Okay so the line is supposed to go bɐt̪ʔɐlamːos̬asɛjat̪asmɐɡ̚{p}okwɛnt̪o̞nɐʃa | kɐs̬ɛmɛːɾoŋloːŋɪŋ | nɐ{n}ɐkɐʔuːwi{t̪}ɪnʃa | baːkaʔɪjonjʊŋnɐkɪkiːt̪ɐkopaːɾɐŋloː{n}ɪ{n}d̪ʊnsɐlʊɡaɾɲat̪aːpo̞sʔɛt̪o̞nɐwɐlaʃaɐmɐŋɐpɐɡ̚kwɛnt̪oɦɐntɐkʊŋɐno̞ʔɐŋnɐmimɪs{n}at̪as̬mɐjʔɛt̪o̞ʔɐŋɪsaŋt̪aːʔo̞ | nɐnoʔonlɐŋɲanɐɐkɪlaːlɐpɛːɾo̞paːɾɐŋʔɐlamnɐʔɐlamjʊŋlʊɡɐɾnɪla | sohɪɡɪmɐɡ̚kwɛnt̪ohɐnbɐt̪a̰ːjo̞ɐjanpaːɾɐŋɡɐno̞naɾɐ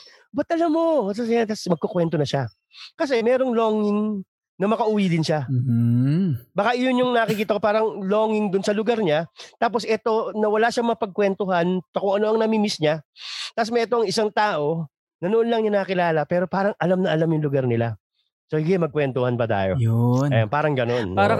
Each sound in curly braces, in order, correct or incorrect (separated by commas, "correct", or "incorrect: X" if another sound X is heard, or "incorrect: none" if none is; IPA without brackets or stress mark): incorrect: k, incorrect: m, incorrect: d̪, incorrect: ŋ, incorrect: ŋ, incorrect: ɲ